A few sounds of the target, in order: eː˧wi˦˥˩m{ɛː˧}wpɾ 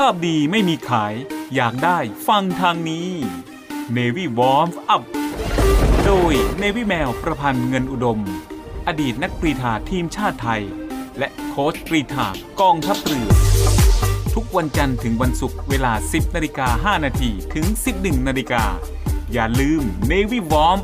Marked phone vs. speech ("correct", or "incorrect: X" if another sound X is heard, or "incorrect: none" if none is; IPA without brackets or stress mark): correct